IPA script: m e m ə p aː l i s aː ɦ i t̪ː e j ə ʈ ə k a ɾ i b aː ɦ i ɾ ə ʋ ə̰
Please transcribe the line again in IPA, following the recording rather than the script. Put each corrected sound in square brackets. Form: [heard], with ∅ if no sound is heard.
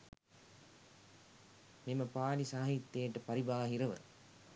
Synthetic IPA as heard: m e m ə p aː l i s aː ɦ i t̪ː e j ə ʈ ə [p] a ɾ i b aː ɦ i ɾ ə ʋ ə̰